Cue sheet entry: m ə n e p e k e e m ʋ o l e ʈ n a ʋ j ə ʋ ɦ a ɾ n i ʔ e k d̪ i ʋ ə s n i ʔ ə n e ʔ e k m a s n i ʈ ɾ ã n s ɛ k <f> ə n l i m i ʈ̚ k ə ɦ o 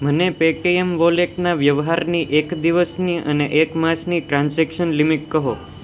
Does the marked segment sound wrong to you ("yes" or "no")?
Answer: yes